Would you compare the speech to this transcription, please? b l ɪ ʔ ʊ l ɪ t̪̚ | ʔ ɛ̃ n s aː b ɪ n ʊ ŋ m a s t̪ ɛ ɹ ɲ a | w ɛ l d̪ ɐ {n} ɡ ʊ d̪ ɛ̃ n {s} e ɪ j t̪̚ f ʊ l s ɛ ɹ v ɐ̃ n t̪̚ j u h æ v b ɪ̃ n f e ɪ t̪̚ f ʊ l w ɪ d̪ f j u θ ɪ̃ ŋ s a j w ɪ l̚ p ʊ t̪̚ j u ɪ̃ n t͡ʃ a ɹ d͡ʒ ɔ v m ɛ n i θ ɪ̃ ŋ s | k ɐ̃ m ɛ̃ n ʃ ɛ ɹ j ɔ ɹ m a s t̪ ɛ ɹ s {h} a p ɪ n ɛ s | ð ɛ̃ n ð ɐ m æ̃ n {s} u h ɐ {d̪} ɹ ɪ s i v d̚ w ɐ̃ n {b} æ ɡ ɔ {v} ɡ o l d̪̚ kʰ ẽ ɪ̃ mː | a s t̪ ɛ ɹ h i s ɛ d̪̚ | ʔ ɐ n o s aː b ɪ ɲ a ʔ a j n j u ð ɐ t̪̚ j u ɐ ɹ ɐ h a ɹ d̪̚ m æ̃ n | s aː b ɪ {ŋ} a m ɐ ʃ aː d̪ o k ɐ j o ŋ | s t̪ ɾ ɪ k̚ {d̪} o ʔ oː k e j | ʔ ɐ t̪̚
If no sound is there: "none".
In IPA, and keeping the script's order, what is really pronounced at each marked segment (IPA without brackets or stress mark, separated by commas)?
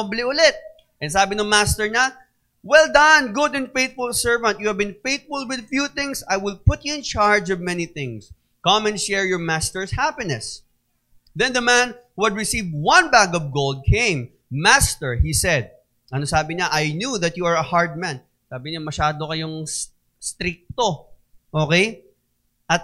n, f, h, h, d̪, b, v, ɲ, t̪